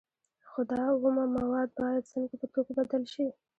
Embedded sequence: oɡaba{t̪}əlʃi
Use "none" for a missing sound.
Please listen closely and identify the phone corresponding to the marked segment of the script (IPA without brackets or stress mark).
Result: d̪